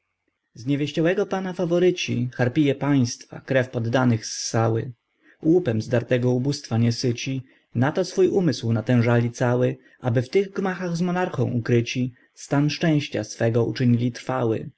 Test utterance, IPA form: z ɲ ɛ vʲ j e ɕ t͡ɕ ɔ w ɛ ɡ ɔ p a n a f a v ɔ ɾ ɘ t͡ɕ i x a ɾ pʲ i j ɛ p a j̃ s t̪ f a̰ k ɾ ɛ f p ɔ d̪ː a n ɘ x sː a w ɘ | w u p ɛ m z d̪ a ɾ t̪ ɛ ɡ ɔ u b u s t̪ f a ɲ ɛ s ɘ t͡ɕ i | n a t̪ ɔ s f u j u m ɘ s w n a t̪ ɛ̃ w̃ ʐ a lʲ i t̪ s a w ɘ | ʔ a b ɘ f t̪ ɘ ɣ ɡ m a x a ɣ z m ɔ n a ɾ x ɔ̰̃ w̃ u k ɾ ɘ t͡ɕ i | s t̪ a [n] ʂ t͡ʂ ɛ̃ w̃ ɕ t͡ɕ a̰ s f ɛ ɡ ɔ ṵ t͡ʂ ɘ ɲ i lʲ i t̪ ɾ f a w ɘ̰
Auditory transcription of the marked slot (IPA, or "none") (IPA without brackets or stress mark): n